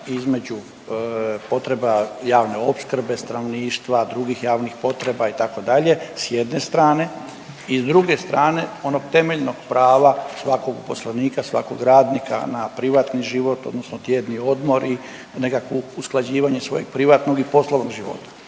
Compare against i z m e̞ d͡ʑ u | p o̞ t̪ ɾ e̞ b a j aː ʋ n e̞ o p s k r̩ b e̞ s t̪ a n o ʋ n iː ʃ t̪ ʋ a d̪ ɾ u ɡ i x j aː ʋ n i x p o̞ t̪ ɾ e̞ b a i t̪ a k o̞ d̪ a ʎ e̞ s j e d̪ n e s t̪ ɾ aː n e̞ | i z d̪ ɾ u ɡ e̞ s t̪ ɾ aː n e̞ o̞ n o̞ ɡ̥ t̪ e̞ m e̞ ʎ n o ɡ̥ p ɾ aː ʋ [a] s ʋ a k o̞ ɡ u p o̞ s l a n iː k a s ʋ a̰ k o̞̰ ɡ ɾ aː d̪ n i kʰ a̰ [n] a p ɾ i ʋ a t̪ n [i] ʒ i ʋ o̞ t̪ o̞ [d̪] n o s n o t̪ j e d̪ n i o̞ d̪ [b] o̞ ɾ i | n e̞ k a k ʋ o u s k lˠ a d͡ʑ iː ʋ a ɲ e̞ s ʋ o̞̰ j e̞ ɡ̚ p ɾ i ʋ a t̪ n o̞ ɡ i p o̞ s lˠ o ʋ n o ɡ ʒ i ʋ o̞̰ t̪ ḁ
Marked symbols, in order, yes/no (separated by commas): yes, yes, yes, yes, no